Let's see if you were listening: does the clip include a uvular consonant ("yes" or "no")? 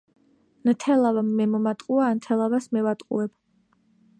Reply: yes